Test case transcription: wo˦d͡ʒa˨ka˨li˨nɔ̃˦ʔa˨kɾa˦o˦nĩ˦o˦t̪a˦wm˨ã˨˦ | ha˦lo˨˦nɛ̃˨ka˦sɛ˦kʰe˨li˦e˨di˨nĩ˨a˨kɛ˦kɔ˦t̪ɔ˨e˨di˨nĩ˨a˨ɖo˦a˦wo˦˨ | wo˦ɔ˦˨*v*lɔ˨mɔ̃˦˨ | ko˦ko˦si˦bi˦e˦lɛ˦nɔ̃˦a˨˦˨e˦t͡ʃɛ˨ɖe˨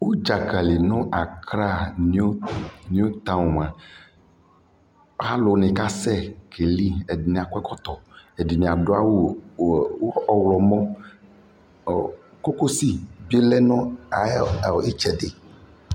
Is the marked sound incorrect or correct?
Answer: incorrect